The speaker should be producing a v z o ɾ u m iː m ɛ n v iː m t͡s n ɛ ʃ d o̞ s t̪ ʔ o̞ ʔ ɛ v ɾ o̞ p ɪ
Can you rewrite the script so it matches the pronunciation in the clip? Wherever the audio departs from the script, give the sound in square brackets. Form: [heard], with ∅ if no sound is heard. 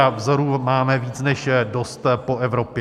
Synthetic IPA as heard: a v z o ɾ u m [aː] m ɛ [∅] v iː [∅] t͡s n ɛ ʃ d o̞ s t̪ [p] o̞ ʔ ɛ v ɾ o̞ p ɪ